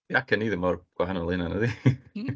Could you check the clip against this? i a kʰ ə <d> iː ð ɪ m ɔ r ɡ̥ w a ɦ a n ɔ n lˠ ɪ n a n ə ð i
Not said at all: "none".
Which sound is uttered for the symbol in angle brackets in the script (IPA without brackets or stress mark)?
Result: n